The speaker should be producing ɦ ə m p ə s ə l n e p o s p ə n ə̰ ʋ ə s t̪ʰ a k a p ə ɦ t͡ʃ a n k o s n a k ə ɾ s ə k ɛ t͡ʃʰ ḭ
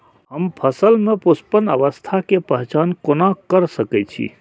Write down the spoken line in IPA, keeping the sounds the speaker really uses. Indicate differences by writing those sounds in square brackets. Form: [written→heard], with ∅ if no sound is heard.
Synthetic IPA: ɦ ə m [p→pʰ] ə s ə l [n→m] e p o s p ə n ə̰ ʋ ə s t̪ʰ a k [a→e] p ə ɦ t͡ʃ a n k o [s→∅] n a k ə ɾ s ə k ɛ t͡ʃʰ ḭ